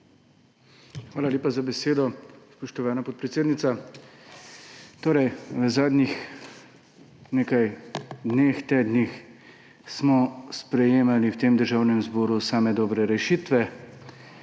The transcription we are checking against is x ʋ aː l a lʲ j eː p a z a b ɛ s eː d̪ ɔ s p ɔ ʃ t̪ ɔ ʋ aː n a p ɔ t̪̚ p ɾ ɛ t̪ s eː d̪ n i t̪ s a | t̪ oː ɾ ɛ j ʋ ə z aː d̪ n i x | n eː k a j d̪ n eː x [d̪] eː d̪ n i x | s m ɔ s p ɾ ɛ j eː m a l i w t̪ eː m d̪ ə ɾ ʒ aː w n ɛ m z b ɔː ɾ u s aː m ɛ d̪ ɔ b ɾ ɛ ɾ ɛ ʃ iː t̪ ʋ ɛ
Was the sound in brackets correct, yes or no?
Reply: no